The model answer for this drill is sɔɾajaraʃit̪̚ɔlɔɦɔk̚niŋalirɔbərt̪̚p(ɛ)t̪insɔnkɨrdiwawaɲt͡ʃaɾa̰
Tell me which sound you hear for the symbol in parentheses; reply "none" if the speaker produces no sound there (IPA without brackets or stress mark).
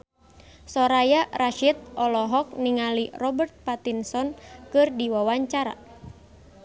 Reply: a